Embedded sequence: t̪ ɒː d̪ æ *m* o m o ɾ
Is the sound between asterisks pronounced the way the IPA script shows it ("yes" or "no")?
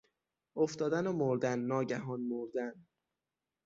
no